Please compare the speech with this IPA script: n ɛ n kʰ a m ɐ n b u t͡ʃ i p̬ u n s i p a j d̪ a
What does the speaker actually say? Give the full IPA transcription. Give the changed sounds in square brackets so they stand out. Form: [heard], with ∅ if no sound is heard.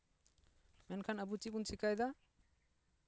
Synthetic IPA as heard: [m] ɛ n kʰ a [n] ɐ [∅] b u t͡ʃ i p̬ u n s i [k] a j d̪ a

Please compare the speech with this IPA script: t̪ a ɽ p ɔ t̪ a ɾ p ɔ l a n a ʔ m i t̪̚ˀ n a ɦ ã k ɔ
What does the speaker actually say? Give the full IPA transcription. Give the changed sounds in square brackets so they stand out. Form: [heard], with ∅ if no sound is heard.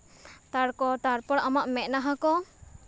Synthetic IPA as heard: t̪ a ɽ [k] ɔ t̪ a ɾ p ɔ [ɽ] a [m] a ʔ m [ɛ] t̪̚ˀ n a ɦ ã k ɔ

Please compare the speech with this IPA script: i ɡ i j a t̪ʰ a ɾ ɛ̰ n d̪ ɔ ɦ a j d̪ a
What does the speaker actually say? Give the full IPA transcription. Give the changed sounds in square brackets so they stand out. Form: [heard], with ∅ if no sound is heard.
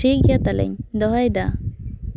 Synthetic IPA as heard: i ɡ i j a [t̪] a [l] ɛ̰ [ɲ] d̪ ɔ ɦ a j d̪ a

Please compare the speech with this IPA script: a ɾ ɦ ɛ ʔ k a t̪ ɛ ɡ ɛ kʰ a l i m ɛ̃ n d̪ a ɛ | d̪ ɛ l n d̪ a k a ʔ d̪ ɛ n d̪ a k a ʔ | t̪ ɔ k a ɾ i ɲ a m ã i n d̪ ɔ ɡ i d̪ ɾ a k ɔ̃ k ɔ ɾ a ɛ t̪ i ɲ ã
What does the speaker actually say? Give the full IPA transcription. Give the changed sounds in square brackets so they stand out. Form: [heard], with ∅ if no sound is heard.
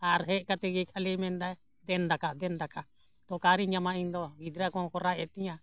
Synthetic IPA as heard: a ɾ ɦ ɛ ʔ k a t̪ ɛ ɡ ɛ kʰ a l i m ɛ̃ n d̪ a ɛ | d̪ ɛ [∅] n d̪ a k a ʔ d̪ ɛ n d̪ a k a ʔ | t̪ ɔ k a ɾ i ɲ a m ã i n d̪ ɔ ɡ i d̪ ɾ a k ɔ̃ k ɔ ɾ a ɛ t̪ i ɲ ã

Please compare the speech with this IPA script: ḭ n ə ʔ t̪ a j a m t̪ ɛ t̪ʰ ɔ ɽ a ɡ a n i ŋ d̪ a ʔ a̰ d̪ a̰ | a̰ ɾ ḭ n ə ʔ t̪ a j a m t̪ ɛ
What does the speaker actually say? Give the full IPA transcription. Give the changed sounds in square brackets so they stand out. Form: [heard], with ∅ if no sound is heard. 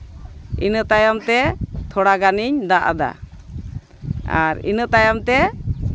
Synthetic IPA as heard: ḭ n ə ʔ t̪ a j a m t̪ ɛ t̪ʰ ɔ ɽ a ɡ a n i [ɲ] d̪ a ʔ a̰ d̪ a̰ | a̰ ɾ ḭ n ə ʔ t̪ a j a m t̪ ɛ

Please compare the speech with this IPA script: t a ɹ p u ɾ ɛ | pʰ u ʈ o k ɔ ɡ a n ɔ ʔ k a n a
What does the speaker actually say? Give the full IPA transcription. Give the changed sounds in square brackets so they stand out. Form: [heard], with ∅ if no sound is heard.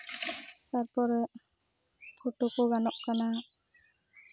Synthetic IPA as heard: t a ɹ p [ɔ] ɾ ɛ | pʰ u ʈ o k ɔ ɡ a n ɔ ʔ k a n a

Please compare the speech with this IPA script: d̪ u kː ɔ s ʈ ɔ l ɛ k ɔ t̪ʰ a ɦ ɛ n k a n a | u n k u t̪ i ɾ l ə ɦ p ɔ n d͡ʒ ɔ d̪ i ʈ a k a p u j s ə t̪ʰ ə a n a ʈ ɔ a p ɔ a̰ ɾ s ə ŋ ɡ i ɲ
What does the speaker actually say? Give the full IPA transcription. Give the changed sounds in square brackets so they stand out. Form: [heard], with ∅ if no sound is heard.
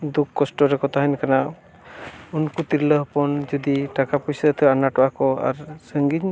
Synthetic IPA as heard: d̪ u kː ɔ s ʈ ɔ [ɾ] ɛ k ɔ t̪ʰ a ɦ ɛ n k a n a | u n k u t̪ i ɾ l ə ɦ p ɔ n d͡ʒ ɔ d̪ i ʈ a k a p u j s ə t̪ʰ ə a n a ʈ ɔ a [k] ɔ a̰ ɾ s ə ŋ ɡ i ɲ

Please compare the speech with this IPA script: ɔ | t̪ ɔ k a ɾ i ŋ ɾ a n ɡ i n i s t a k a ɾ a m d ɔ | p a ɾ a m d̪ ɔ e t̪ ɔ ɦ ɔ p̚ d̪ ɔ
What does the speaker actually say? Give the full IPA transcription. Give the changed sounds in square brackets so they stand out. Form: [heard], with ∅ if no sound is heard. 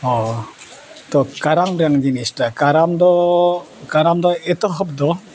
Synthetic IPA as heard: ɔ | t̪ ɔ k a ɾ [a] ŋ ɾ a [ŋ] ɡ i n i s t a k a ɾ a m d ɔ | [k] a ɾ a m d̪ ɔ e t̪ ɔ ɦ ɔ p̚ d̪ ɔ

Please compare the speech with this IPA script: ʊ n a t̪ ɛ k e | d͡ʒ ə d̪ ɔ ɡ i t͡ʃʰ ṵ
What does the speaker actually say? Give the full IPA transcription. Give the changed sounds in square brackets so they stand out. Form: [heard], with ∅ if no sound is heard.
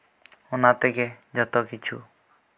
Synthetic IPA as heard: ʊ n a t̪ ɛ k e | d͡ʒ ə [t̪] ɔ [k] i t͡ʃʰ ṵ

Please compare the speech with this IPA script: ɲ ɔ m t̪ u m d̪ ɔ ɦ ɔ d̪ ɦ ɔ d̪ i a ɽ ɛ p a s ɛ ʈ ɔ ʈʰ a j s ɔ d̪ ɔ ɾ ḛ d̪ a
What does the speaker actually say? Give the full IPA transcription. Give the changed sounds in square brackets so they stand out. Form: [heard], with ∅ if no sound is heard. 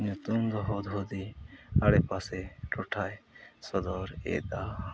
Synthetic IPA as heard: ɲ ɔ [∅] t̪ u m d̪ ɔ ɦ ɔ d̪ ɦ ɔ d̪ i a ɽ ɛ p a s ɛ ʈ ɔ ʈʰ a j s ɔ d̪ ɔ ɾ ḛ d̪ a

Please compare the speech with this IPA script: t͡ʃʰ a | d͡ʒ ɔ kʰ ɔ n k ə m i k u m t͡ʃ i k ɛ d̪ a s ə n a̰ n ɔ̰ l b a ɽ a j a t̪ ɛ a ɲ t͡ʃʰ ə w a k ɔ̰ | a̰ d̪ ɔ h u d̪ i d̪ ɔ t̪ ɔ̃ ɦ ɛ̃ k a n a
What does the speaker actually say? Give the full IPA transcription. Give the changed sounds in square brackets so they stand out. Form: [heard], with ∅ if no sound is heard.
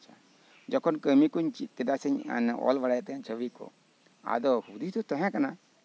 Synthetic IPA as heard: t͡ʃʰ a | d͡ʒ ɔ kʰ ɔ n k ə m i k u [ɲ] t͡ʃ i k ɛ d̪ a s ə [ɲ] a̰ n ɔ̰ l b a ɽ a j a t̪ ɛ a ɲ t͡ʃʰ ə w [i] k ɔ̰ | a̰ d̪ ɔ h u d̪ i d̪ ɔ t̪ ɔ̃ ɦ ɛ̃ k a n a

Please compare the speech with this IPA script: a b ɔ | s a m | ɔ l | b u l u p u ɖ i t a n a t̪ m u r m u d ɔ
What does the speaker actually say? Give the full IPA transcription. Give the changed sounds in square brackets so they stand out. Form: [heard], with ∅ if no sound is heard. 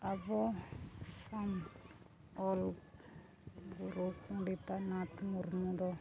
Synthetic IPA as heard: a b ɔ | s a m | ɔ l | [ɡ] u [ɾ] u [k] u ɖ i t a n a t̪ m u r m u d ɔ

